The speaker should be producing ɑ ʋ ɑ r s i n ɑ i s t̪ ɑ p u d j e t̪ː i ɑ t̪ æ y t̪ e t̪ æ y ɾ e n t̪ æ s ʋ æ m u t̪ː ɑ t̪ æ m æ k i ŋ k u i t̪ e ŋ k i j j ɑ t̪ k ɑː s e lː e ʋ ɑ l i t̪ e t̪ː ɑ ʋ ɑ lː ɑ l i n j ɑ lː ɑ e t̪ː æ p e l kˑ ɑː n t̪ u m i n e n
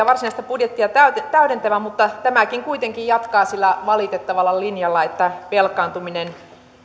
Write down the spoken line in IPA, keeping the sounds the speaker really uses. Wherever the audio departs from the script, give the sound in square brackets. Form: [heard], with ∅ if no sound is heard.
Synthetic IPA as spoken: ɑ ʋ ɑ r s i n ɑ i s t̪ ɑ p u d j e t̪ː i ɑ t̪ æ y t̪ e t̪ æ y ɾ e n t̪ æ [∅] ʋ æ m u t̪ː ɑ t̪ æ m æ k i ŋ k u i t̪ e ŋ k i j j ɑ t̪ k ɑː s [i] lː [æ] ʋ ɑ l i t̪ e t̪ː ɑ ʋ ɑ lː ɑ l i n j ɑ lː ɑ e t̪ː æ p e l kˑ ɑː n t̪ u m i n e n